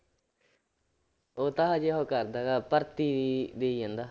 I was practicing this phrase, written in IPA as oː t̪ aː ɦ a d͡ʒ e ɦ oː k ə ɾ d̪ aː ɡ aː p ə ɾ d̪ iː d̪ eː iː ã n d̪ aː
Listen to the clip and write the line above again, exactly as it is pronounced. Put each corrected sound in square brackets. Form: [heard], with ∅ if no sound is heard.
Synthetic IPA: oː t̪ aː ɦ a d͡ʒ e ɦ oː k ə ɾ d̪ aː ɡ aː p ə ɾ [t̪] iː d̪ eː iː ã n d̪ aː